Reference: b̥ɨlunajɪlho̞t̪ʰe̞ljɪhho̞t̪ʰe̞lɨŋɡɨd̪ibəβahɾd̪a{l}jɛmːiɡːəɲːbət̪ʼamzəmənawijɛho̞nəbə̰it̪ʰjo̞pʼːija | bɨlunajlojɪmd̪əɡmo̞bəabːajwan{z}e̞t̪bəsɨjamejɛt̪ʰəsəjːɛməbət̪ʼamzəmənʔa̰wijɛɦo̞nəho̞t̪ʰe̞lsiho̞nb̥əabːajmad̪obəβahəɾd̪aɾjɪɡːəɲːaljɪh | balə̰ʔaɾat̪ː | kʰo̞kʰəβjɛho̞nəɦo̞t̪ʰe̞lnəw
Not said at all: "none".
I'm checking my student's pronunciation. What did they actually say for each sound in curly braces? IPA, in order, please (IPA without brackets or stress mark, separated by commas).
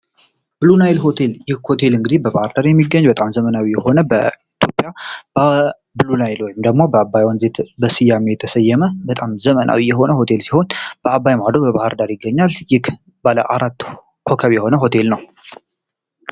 ɾ, z